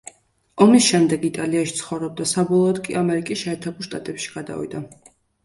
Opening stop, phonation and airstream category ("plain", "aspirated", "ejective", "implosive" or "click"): plain